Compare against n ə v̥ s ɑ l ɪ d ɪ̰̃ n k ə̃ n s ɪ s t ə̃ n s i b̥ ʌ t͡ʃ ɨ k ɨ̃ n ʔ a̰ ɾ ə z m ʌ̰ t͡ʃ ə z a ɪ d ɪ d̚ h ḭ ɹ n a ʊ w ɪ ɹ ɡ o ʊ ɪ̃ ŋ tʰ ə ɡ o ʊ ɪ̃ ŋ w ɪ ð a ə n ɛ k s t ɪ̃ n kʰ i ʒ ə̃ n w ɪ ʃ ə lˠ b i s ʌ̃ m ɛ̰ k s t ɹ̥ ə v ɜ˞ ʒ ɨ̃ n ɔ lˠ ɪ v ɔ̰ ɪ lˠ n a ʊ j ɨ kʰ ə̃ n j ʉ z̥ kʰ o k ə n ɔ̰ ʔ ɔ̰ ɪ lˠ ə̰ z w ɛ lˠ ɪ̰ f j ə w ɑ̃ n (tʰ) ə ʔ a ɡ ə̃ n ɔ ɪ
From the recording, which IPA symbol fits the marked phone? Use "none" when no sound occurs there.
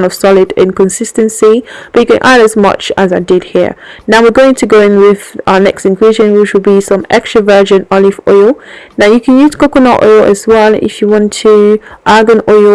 tʰ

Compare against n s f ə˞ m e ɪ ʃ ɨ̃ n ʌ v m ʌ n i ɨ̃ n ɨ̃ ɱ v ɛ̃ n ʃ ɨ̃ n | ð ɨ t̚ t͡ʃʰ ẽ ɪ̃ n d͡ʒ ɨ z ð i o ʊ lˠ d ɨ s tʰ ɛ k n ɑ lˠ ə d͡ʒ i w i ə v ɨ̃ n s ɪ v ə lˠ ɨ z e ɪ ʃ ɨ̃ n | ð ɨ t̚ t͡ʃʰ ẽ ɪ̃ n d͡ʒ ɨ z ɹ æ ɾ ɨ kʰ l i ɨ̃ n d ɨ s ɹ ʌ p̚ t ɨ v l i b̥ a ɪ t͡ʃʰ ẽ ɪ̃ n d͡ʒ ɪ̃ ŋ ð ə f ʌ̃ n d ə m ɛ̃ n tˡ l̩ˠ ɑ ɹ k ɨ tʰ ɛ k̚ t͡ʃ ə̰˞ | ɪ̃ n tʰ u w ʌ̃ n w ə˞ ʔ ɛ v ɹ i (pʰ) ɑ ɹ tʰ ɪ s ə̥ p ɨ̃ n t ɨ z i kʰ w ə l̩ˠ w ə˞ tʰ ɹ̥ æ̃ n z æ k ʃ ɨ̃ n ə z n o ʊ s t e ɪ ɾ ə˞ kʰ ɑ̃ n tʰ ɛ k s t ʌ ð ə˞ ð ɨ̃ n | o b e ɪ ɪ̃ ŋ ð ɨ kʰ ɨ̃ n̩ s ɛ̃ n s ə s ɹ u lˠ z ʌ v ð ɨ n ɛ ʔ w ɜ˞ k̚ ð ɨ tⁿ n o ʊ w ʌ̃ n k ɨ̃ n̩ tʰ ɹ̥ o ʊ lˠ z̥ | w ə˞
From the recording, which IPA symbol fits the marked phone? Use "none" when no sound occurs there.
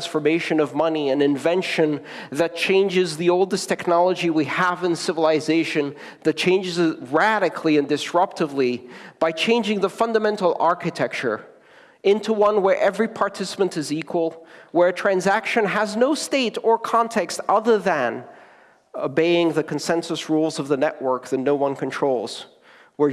pʰ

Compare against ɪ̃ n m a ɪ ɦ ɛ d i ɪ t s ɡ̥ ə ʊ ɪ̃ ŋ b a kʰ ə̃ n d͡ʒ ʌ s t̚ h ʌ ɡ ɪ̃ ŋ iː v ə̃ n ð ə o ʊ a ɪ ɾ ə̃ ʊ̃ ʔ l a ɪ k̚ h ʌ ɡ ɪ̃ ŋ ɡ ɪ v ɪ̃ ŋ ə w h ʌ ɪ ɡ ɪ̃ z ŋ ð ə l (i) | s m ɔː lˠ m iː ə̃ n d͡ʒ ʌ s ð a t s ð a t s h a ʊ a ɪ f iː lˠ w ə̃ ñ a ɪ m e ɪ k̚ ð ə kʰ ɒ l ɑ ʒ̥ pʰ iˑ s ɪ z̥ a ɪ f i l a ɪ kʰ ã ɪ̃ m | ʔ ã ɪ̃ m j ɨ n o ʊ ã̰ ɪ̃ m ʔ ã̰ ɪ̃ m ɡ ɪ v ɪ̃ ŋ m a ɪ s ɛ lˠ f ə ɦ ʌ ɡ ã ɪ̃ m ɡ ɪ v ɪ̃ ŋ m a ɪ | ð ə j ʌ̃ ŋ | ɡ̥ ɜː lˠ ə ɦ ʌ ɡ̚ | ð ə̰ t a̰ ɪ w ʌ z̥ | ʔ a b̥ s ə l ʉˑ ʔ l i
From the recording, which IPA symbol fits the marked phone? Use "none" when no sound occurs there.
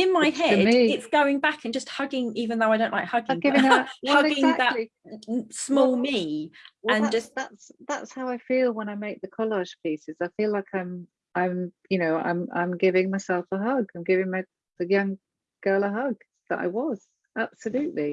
i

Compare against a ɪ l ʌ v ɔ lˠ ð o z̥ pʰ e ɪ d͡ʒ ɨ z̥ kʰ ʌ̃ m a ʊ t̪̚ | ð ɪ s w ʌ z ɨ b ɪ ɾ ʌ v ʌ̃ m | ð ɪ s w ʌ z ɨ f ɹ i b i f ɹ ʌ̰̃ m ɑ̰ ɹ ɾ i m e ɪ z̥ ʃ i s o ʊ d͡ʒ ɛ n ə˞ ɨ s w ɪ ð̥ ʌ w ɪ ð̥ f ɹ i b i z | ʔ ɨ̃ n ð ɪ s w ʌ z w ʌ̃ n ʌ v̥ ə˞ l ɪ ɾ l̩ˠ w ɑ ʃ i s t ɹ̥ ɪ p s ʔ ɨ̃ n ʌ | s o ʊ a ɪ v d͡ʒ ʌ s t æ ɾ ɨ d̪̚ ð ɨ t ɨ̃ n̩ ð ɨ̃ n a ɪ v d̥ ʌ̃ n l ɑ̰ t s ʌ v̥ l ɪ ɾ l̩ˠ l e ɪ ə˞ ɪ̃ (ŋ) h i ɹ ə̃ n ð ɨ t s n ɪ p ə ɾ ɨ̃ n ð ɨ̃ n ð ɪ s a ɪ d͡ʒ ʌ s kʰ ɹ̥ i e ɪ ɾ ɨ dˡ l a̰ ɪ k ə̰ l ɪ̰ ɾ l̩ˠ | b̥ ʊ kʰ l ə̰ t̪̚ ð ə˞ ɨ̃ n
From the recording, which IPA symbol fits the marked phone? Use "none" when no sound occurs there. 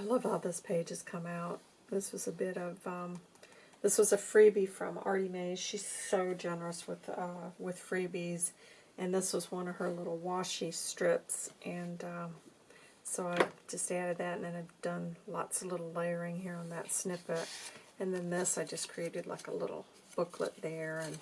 ŋ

